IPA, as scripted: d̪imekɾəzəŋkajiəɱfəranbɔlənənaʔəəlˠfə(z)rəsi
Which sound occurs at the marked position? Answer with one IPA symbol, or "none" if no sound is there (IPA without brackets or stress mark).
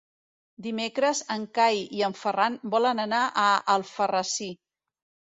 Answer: none